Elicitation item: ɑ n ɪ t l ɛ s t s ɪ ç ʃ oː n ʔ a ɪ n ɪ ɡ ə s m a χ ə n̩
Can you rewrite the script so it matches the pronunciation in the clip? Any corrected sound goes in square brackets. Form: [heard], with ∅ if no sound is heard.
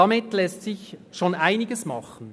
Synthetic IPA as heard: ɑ [m] ɪ t l ɛ s t s ɪ ç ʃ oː n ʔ a ɪ n ɪ ɡ ə s m [ɑ] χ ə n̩

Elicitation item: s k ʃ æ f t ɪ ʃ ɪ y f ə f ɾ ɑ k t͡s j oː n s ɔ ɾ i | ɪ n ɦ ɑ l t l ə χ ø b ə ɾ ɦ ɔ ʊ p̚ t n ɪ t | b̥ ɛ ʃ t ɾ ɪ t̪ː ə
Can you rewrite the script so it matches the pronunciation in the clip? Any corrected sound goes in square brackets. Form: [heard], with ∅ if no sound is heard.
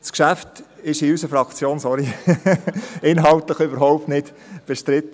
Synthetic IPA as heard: s k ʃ æ f t ɪ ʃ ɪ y [s] ə f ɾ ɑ k t͡s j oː n s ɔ ɾ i | ɪ n ɦ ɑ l t l ə χ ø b ə ɾ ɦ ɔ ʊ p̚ t n ɪ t | b̥ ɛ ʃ t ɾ ɪ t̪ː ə

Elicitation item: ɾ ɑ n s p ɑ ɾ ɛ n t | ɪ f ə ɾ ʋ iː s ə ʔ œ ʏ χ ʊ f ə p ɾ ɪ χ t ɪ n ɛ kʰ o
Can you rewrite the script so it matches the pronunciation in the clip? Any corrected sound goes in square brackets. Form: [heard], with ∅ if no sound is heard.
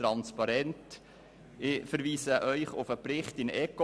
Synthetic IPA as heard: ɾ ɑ n s p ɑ ɾ ɛ n t | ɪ f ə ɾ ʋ iː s ə ʔ œ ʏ χ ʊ f ə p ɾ ɪ χ t ɪ n ɛ [k] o

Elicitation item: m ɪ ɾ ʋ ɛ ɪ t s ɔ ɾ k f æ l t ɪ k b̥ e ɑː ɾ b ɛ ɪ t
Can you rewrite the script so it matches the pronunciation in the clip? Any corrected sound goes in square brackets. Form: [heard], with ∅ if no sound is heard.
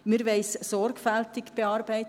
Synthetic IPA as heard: m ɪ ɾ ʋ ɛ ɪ [s] s ɔ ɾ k f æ l t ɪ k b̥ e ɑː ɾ b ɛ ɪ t

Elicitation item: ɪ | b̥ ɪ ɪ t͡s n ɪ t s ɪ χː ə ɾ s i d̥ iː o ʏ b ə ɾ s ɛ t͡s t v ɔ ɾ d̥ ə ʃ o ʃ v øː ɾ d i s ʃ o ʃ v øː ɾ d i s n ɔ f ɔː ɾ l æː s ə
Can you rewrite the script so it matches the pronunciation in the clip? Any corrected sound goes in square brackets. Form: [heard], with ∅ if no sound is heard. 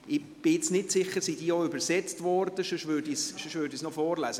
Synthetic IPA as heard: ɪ | b̥ ɪ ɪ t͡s n ɪ t s ɪ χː ə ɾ s i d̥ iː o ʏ b ə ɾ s ɛ t͡s t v ɔ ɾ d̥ ə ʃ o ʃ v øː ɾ d i s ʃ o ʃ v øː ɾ d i s n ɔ f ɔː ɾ l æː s ə

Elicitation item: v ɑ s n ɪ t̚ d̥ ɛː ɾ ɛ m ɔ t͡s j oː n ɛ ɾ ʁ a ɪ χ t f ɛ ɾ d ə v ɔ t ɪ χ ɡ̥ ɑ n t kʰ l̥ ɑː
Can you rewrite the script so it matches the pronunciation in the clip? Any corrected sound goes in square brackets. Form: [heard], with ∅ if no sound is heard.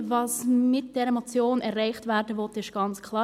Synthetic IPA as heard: v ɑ s [m] ɪ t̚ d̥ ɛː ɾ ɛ m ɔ t͡s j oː n ɛ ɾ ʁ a ɪ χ t [v] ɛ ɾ d ə v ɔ t ɪ [ʃ] ɡ̥ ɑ n [t͡s] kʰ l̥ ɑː

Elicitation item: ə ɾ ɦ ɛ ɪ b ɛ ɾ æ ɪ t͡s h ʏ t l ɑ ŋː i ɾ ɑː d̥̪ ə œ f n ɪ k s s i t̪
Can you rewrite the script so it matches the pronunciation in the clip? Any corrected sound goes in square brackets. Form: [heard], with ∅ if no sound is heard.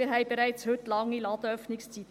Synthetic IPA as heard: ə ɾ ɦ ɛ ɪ b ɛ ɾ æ ɪ t͡s h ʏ t l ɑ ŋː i [l] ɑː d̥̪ ə œ f n ɪ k s [t͡s] i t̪

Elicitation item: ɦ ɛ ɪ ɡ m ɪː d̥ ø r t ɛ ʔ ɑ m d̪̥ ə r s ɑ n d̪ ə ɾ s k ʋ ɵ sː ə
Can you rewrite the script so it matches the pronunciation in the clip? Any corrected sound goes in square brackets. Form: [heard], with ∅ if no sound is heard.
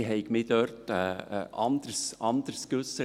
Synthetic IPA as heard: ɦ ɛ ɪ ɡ m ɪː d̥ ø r t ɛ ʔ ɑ [n] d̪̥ ə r s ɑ n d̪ ə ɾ s k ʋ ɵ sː ə

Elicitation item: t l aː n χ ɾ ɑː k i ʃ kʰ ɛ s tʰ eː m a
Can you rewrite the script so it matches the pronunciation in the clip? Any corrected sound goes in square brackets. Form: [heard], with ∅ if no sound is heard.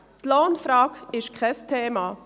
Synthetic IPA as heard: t l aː n [f] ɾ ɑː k [ɪ] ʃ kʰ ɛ s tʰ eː m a

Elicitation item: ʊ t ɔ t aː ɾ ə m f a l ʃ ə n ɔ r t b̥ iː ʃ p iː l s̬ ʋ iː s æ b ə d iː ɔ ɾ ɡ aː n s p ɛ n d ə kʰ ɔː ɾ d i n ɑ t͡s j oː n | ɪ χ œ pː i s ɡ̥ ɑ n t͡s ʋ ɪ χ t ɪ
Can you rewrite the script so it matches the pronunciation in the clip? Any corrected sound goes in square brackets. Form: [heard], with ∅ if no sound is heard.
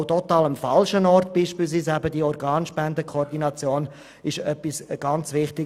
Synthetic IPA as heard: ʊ t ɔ t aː [l] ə m f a l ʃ ə n ɔ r t b̥ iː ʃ p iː l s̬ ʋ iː s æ b ə d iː ɔ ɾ ɡ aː n [ʃ] p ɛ n d ə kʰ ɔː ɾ d i n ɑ t͡s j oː n | ɪ [ʃ] œ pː i s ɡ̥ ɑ n t͡s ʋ ɪ χ t ɪ

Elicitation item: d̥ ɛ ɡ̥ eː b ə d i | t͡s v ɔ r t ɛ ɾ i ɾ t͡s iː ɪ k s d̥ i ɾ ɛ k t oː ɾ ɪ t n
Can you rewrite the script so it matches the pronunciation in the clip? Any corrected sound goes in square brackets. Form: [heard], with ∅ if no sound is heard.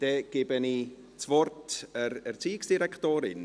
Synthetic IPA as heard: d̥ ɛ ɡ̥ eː b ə [n] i | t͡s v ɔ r t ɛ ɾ [ɛ] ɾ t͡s iː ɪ k s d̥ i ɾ ɛ k t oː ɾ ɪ [∅] n

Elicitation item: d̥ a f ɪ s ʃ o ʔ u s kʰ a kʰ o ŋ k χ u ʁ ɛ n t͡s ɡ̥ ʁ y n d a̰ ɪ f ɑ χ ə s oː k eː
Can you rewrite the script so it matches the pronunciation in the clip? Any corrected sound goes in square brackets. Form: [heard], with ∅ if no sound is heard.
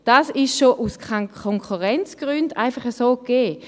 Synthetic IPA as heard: d̥ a [s] ɪ [ʃ] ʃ o ʔ u s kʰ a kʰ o ŋ k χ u ʁ ɛ n t͡s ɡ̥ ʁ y n d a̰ ɪ f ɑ χ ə s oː k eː

